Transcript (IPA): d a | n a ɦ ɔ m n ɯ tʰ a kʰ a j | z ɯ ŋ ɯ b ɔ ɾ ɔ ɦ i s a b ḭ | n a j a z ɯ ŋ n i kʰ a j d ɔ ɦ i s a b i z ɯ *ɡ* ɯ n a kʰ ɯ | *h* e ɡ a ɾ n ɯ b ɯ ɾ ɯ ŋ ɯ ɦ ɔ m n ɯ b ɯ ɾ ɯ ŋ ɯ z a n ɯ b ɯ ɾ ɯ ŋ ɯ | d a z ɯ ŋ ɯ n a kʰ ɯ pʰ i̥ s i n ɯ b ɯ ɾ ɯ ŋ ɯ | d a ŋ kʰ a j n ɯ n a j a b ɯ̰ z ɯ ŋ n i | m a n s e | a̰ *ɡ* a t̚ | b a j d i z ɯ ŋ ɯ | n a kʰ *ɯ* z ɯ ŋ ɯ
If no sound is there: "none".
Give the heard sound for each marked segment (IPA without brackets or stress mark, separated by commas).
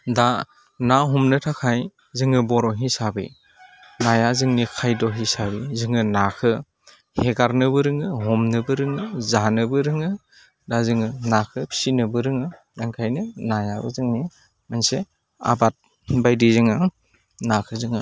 ŋ, h, b, ɯ